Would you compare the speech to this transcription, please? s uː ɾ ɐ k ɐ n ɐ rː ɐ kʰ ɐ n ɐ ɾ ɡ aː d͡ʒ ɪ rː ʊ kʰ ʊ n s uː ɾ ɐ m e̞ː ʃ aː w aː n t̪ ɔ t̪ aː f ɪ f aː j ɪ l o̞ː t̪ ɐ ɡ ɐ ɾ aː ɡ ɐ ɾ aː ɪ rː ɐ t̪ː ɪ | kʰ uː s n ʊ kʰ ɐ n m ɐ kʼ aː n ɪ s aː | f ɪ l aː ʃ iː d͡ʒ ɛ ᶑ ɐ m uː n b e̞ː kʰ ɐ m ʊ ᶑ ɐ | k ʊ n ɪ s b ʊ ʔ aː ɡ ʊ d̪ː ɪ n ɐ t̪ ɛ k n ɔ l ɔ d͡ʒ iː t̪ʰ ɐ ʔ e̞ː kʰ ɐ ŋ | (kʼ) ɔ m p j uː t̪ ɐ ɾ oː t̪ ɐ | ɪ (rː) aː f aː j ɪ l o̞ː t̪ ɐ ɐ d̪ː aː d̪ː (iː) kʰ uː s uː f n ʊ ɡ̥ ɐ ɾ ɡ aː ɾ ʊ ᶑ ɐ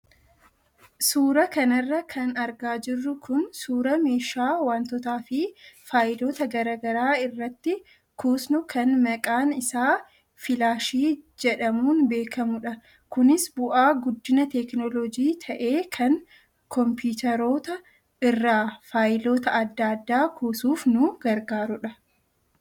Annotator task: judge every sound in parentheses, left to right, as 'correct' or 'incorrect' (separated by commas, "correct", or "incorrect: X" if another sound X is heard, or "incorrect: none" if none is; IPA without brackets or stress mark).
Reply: incorrect: k, correct, incorrect: aː